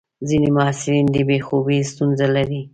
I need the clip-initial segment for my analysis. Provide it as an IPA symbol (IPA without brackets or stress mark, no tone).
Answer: z